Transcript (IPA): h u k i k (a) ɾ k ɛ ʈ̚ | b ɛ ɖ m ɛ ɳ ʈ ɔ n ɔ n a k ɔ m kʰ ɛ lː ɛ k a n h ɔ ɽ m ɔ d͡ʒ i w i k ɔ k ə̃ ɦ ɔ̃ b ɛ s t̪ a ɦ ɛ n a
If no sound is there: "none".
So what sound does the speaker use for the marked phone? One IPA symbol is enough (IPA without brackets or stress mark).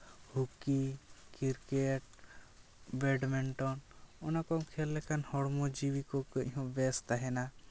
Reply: i